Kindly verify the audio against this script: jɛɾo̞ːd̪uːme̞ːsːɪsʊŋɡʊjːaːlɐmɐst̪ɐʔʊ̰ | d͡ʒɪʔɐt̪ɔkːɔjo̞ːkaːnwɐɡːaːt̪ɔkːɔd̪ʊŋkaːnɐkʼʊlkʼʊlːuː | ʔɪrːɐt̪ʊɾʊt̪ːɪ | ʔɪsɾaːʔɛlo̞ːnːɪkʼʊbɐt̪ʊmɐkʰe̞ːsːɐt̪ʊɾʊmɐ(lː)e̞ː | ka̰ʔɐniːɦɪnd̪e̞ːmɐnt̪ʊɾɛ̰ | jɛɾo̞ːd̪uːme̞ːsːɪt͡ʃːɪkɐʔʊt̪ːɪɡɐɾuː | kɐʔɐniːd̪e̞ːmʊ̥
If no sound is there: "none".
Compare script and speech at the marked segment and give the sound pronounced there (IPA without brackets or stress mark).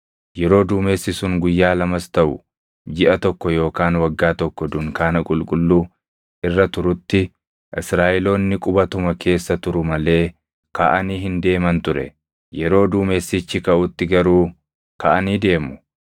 l